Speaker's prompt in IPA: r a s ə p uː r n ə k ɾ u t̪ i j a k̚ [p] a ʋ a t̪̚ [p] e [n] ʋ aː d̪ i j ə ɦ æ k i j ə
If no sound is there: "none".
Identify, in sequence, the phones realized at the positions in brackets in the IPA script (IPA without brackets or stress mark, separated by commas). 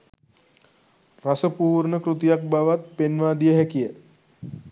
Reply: b, p, n